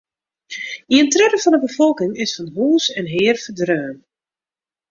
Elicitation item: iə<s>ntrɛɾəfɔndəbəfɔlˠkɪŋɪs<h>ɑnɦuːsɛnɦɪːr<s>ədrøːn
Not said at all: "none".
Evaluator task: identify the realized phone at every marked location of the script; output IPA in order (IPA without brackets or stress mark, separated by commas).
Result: none, f, f